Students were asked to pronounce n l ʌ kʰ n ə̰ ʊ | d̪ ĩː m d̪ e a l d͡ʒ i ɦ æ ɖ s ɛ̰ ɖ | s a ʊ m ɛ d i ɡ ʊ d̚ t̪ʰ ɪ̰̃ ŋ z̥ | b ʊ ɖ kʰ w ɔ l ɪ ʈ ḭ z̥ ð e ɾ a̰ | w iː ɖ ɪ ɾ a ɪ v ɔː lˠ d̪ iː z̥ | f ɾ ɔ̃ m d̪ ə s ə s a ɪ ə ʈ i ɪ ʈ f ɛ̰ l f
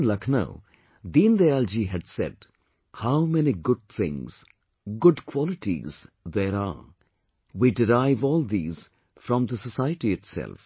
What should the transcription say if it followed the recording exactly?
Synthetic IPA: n l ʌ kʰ n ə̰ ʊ | d̪ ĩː n d̪ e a l d͡ʒ i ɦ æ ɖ s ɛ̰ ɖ | h a ʊ m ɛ n i ɡ ʊ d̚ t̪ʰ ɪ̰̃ ŋ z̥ | ɡ ʊ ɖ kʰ w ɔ l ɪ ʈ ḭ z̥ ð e ɾ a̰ | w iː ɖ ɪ ɾ a ɪ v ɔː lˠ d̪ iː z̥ | f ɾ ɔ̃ m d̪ ə s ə s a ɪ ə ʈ i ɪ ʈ s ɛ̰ l f